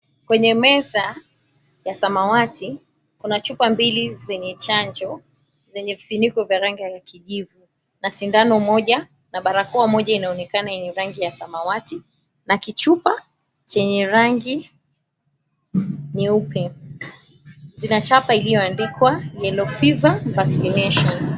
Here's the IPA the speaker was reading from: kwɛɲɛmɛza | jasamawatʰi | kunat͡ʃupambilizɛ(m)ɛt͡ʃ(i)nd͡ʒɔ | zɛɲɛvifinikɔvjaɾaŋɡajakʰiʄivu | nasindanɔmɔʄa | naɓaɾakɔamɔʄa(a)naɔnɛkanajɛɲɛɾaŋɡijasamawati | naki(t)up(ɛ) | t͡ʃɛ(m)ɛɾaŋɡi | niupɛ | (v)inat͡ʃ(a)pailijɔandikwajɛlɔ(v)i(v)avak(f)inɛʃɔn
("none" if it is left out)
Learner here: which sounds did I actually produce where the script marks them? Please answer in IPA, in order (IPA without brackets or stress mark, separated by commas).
ɲ, a, i, t͡ʃ, a, ɲ, z, a, f, v, s